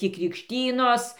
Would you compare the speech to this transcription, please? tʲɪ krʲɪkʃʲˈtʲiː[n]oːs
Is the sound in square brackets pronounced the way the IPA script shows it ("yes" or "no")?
yes